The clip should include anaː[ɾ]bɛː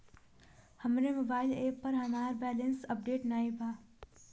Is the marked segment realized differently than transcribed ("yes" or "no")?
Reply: no